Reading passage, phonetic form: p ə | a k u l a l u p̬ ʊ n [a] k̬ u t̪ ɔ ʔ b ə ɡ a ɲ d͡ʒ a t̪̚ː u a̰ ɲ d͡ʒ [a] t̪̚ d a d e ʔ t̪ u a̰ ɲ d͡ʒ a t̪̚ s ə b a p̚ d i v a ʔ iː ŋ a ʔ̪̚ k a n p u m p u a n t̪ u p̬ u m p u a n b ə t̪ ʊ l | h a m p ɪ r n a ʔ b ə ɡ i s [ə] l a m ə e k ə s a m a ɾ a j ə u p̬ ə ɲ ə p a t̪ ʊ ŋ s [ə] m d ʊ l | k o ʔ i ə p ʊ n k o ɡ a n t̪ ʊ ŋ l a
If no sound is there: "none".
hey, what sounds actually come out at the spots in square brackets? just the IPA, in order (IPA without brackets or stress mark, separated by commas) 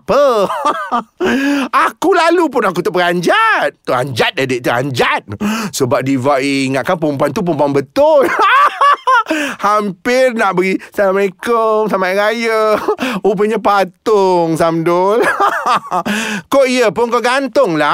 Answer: a, a, a, a